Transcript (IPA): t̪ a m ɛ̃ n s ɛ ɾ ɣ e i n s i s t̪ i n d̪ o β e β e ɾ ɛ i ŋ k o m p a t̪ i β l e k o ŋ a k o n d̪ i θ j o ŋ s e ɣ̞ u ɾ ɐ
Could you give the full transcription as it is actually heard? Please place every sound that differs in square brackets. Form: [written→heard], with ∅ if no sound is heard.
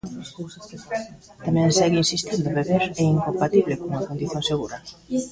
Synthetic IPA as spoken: t̪ a m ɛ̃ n s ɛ [ɾ→∅] ɣ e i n s i s t̪ i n d̪ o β e β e ɾ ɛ i ŋ k o m p a t̪ i β l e k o ŋ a k o n d̪ i θ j o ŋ s e ɣ̞ u ɾ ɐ